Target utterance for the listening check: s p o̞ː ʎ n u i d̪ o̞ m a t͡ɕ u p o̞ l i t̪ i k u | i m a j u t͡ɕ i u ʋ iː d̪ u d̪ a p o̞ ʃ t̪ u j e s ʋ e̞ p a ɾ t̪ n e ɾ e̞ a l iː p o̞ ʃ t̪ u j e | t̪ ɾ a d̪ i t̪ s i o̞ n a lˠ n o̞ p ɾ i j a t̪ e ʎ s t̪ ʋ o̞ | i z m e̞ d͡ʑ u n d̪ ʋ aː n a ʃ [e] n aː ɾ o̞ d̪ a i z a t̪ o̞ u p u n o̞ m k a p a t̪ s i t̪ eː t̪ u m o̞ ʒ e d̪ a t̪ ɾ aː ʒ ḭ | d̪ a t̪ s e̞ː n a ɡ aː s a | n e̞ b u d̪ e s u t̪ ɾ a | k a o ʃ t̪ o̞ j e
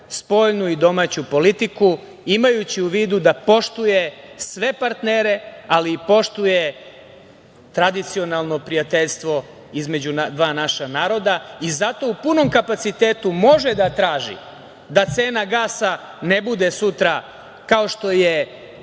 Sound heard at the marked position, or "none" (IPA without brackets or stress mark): a